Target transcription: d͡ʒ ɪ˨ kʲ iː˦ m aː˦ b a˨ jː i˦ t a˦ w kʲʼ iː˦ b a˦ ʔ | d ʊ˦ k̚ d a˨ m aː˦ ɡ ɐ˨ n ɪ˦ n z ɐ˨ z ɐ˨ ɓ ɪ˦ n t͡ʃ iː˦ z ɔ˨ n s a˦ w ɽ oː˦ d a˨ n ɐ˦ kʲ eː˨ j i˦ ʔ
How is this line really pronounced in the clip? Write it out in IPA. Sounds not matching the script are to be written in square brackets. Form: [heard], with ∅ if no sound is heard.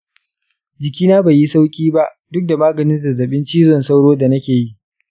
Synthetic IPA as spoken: d͡ʒ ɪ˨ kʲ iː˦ [n] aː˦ b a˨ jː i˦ [s] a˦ w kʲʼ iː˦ b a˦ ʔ | d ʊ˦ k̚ d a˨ m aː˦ ɡ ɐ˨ n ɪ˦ n z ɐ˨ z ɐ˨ ɓ ɪ˦ n t͡ʃ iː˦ z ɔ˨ n s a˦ w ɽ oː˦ d a˨ n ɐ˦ kʲ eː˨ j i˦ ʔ